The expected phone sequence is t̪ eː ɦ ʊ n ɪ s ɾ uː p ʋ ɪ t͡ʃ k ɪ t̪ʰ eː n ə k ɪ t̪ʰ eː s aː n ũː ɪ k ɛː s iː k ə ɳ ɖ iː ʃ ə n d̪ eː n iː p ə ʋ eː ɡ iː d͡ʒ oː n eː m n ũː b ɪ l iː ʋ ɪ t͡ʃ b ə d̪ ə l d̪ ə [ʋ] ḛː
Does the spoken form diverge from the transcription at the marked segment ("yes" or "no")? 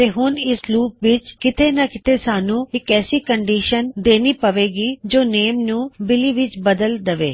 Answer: no